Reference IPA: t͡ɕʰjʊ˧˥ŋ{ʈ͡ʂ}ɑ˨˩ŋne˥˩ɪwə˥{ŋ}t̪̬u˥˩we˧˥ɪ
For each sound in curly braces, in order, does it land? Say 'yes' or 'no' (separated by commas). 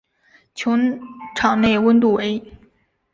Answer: no, no